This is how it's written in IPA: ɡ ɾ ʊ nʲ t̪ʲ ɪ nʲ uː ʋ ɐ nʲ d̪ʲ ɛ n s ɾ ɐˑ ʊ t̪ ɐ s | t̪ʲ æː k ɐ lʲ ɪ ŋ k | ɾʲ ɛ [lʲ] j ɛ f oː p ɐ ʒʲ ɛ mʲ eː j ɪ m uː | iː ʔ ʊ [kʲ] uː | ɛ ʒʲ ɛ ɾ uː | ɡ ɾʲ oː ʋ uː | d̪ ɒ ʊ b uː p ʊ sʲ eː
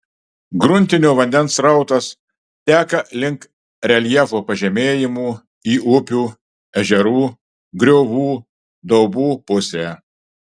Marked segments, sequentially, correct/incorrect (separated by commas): correct, incorrect